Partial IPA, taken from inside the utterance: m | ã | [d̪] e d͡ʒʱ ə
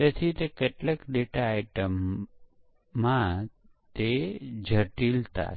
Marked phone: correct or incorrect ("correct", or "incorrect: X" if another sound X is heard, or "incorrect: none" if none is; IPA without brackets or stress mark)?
incorrect: t̪